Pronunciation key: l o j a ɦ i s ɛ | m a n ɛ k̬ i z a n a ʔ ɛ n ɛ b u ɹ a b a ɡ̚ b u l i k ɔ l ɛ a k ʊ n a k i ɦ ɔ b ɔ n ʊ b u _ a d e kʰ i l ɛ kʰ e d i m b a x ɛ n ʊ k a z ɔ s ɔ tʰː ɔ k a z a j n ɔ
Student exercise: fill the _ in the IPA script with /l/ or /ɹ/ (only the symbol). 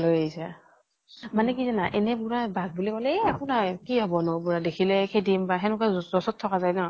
ɹ